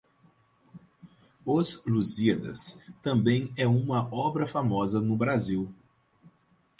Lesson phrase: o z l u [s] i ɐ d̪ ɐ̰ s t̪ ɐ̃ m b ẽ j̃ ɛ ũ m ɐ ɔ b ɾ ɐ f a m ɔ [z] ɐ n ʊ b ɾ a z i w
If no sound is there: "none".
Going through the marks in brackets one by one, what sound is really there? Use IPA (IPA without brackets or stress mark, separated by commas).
z, z